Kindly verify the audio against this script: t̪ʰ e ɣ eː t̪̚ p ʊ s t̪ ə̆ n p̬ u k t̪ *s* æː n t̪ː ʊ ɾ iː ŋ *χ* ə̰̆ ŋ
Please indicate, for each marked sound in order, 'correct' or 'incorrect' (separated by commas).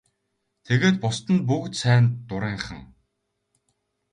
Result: correct, correct